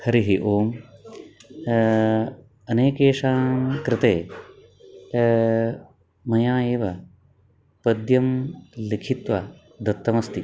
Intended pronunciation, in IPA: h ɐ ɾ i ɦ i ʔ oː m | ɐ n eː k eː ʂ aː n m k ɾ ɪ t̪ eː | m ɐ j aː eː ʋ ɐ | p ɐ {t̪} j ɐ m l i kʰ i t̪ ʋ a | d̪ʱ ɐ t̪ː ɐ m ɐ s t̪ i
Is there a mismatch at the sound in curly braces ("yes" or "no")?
yes